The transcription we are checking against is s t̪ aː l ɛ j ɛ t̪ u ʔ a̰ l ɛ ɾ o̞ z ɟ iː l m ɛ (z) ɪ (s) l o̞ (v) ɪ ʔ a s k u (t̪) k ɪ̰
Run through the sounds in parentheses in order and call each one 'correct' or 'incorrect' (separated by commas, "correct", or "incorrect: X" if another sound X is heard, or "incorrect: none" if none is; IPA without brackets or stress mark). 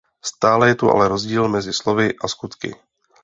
correct, correct, correct, correct